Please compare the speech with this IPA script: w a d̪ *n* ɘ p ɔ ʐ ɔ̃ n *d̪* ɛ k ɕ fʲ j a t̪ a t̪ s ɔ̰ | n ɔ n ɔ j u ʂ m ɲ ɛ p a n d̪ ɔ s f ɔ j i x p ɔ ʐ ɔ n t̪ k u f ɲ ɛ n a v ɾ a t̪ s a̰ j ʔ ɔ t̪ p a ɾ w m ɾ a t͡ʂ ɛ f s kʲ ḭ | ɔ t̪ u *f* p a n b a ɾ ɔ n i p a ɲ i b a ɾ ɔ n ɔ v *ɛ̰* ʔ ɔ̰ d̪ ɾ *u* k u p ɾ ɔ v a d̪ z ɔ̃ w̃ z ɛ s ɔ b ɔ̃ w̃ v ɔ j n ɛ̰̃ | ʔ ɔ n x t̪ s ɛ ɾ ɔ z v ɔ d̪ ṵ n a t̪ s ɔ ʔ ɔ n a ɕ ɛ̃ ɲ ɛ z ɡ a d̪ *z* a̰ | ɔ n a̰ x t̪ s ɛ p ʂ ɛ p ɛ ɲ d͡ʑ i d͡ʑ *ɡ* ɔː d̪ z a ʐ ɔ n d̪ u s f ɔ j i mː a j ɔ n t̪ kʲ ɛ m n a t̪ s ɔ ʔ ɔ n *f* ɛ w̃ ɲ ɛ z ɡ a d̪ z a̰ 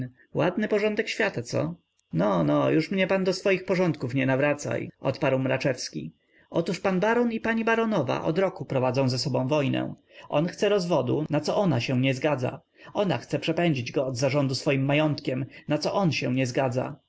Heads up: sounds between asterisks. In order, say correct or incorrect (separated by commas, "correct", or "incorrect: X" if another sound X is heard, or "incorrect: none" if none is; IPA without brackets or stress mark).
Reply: correct, correct, incorrect: ʂ, incorrect: a̰, incorrect: ɔ, correct, correct, incorrect: ɕ